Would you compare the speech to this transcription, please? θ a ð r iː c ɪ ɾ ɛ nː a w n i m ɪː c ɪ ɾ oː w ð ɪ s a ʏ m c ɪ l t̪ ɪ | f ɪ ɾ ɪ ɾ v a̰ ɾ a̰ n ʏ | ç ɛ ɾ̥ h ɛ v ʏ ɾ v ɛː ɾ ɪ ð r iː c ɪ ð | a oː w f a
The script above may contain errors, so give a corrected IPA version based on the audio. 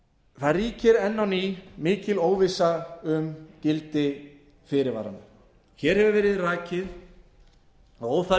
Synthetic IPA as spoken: θ a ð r iː c ɪ ɾ ɛ nː a w n i m ɪː c ɪ l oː w v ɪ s a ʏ m c ɪ l t̪ ɪ | f ɪ ɾ ɪ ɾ v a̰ ɾ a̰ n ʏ | ç ɛ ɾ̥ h ɛ v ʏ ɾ v ɛː ɾ ɪ ð r aː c ɪ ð | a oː w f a